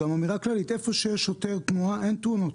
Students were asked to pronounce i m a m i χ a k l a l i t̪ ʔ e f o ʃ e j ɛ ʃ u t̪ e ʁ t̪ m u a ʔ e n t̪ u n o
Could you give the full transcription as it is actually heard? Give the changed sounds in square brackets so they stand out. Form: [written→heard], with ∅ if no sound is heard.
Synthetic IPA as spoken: [i→a] m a m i [χ→ʁ] a k l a l i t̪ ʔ e f o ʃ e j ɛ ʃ [u→o] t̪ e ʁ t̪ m u a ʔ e n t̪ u n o